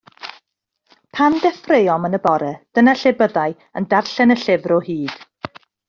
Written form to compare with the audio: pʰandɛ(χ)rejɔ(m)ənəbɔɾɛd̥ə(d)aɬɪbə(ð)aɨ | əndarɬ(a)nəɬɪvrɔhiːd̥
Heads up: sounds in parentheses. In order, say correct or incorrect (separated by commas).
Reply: incorrect, correct, incorrect, correct, incorrect